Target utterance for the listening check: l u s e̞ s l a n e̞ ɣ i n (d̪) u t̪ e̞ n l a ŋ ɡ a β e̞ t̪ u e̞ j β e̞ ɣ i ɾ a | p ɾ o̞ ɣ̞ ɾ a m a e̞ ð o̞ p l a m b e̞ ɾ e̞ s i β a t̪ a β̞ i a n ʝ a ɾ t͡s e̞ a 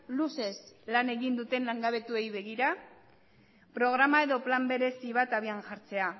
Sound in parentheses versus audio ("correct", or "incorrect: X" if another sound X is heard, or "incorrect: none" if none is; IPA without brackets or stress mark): correct